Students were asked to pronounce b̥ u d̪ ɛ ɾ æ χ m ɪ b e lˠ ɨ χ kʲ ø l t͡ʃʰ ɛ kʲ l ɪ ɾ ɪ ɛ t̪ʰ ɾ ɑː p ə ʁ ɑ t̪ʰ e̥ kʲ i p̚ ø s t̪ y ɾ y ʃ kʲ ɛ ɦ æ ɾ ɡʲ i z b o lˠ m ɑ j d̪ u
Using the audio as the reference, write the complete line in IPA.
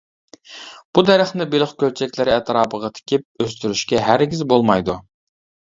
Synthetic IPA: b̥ u d̪ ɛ ɾ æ χ n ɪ b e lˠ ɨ χ kʲ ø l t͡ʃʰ ɛ kʲ l ɪ ɾ ɪ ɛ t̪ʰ ɾ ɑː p ə ʁ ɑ t̪ʰ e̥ kʲ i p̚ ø s t̪ y ɾ y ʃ kʲ ɛ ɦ æ ɾ ɡʲ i z b o lˠ m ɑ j d̪ u

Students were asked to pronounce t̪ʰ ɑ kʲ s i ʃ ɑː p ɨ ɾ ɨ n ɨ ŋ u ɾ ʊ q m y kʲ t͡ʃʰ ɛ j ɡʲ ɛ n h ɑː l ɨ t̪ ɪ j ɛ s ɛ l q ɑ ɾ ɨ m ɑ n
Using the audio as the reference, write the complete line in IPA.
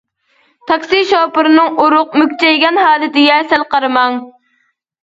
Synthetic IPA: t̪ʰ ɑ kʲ s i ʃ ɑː p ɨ ɾ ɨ n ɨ ŋ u ɾ ʊ q m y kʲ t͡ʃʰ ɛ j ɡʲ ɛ n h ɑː l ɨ t̪ ɪ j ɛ s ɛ l q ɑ ɾ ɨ m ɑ ŋ

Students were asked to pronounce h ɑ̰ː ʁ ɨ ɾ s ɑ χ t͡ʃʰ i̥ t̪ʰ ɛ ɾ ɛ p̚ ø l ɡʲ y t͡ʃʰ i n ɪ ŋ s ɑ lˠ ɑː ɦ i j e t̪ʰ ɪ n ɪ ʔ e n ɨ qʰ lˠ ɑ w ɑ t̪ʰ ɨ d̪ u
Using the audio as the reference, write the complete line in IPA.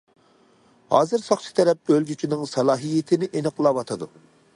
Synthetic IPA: h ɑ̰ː z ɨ ɾ s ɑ χ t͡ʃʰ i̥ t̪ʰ ɛ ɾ ɛ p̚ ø l ɡʲ y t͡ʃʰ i n ɪ ŋ s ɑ lˠ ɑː ɦ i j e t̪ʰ ɪ n ɪ ʔ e n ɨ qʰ lˠ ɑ w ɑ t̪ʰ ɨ d̪ u

